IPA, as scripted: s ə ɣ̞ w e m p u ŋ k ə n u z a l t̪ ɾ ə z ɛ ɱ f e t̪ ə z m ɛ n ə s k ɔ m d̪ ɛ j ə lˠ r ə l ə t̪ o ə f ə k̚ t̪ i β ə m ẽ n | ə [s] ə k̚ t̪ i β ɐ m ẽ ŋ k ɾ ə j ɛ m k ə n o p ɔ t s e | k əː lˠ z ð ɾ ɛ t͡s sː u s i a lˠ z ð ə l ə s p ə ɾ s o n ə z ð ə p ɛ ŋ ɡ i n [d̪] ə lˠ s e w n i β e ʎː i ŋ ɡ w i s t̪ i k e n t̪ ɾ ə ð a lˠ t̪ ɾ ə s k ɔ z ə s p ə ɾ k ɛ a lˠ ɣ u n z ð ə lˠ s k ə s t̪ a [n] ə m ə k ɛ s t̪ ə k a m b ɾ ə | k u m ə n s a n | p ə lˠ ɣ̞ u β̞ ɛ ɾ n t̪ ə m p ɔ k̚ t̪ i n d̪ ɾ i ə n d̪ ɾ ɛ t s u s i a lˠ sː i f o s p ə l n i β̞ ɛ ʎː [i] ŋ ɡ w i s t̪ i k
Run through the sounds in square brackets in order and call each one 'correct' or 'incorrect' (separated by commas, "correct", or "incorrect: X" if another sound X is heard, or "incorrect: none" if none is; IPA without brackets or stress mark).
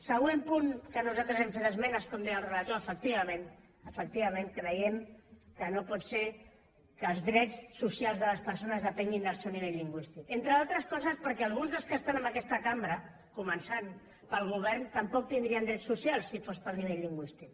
incorrect: f, correct, correct, correct